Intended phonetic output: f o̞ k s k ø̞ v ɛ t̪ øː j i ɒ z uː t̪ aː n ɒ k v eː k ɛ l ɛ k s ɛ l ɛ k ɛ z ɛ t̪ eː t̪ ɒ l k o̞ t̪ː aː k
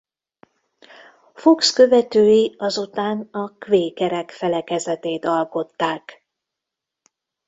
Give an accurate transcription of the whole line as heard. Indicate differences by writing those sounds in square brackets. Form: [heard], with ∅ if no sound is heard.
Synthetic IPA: f o̞ k s k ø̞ v ɛ t̪ øː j i ɒ z [u] t̪ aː n ɒ k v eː k ɛ [ɾ] ɛ k [f] ɛ l ɛ k ɛ z ɛ t̪ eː t̪ ɒ l k o̞ t̪ː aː k